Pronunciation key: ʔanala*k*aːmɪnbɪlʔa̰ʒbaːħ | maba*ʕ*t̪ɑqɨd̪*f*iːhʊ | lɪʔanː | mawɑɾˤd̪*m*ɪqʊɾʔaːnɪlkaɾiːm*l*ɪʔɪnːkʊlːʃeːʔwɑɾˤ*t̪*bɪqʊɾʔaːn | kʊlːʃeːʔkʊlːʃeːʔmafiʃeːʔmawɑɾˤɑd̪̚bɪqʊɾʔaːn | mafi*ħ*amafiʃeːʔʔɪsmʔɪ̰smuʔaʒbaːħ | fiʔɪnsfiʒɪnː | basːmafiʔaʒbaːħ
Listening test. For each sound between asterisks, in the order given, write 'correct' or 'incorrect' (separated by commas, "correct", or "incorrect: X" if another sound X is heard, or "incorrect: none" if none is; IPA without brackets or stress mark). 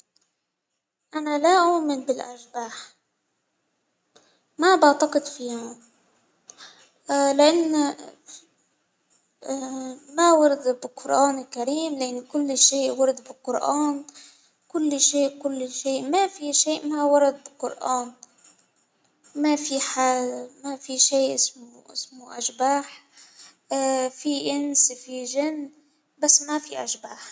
incorrect: ʔ, correct, correct, incorrect: b, correct, incorrect: d̪, correct